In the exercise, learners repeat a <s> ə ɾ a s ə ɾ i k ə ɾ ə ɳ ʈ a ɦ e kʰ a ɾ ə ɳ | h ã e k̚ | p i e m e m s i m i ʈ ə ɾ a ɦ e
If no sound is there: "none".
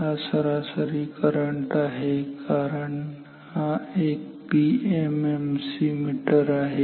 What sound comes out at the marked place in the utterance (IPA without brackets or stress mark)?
s